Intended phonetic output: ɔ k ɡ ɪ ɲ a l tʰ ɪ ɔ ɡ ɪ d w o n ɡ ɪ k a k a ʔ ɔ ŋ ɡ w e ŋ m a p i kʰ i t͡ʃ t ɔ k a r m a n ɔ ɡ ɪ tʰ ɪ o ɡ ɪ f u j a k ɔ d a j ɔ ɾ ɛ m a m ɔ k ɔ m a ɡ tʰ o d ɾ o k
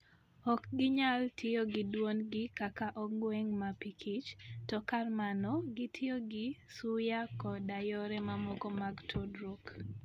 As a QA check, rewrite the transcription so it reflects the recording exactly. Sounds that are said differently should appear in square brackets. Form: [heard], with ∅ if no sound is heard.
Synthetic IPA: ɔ k ɡ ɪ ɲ a l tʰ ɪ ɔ ɡ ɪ d w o n ɡ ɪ k a k a ʔ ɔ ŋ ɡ w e ŋ m a p i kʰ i t͡ʃ t ɔ k a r m a n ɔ ɡ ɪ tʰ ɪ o ɡ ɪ [s] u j a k ɔ d a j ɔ ɾ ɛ m a m ɔ k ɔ m a ɡ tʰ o d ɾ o k